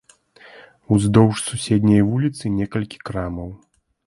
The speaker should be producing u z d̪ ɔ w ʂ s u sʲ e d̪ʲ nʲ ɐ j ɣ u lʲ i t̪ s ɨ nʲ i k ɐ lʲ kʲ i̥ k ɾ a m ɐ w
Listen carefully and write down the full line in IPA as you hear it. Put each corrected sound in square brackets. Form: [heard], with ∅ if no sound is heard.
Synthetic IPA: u z d̪ ɔ w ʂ s u sʲ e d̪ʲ nʲ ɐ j [v] u lʲ i t̪ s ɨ nʲ [ɛ] k ɐ lʲ kʲ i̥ k ɾ a m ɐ w